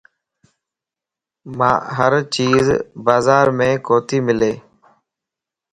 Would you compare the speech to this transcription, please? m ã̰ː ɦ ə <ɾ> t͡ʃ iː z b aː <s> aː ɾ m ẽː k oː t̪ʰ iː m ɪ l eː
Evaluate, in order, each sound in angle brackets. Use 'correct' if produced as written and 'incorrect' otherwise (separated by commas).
correct, incorrect